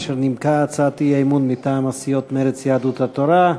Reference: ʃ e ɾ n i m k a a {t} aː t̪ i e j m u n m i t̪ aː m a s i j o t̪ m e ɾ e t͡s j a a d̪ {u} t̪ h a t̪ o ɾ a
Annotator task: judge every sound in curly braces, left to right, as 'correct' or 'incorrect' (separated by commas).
incorrect, correct